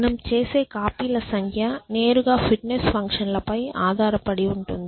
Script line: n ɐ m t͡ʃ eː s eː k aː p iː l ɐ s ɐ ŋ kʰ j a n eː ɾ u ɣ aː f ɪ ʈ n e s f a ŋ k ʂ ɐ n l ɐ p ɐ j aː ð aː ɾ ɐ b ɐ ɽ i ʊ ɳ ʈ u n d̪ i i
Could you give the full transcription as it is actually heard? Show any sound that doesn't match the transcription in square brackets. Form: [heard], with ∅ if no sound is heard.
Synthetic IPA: n ɐ m t͡ʃ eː s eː k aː p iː l ɐ s ɐ ŋ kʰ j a n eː ɾ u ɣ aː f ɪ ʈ n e s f [ɐ] ŋ k ʂ ɐ n l ɐ p ɐ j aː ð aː ɾ ɐ [p] ɐ ɽ i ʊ ɳ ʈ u n d̪ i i

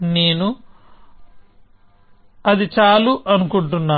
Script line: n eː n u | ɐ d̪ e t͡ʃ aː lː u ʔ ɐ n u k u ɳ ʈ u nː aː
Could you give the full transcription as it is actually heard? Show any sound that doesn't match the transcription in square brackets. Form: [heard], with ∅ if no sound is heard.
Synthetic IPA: n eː n u | ɐ d̪ [i] t͡ʃ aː [l] u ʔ ɐ n u k u ɳ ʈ u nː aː

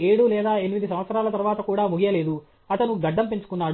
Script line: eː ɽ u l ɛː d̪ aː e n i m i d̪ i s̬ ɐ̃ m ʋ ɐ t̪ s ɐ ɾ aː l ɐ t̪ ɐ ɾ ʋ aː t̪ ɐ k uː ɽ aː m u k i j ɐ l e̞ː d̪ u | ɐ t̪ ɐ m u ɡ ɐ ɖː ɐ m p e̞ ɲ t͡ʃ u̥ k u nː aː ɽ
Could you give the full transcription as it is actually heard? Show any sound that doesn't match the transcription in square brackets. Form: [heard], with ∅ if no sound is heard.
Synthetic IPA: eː ɽ u l ɛː d̪ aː e n i m i d̪ i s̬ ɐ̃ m ʋ ɐ t̪ s ɐ ɾ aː l ɐ t̪ ɐ ɾ ʋ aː t̪ ɐ k uː ɽ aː m u [ɡ] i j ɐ l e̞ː d̪ u | ɐ t̪ ɐ [n] u ɡ ɐ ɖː ɐ m p e̞ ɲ t͡ʃ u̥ k u nː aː ɽ

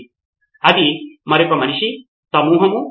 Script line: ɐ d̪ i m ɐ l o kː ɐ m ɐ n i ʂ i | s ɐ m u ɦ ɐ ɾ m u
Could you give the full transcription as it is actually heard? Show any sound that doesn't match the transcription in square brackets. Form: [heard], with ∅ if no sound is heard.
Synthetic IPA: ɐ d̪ i m ɐ [ɾ] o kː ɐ m ɐ n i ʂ i | s ɐ m [uː] ɦ ɐ [∅] m u

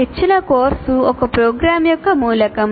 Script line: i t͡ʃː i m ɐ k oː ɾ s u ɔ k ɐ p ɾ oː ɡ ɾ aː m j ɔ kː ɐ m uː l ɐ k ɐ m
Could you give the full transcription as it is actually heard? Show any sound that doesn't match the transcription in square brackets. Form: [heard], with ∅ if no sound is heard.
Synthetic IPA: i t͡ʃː i [n] ɐ k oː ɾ s u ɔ k ɐ p ɾ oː ɡ ɾ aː m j ɔ kː ɐ m uː l ɐ k ɐ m

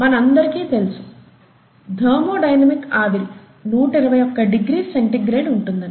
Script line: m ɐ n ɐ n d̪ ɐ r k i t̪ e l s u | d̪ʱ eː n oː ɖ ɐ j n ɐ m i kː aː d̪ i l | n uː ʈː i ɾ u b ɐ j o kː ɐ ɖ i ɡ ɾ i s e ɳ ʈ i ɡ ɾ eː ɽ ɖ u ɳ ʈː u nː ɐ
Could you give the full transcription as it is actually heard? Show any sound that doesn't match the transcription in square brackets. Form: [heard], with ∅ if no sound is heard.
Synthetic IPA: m ɐ n ɐ n d̪ ɐ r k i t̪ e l s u | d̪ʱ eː [m] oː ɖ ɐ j n ɐ m i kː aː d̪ i l | n uː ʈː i ɾ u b ɐ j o kː ɐ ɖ i ɡ ɾ i s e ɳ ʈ i ɡ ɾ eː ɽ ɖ u ɳ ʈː u nː ɐ

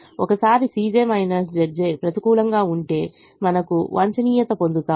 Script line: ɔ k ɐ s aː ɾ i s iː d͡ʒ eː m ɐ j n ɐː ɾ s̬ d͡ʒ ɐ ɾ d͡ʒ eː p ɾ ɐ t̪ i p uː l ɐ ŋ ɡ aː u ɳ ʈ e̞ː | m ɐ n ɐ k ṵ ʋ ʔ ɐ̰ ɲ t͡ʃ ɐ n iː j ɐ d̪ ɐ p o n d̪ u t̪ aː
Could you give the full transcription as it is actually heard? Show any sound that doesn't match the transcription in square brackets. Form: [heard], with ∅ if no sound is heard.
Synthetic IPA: ɔ k ɐ s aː ɾ i s iː d͡ʒ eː m ɐ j n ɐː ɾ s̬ d͡ʒ ɐ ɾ d͡ʒ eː p ɾ ɐ t̪ i [k] uː l ɐ ŋ ɡ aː u ɳ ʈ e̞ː | m ɐ n ɐ k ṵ ʋ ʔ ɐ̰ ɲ t͡ʃ ɐ n iː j ɐ [t̪] ɐ p o n d̪ u t̪ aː

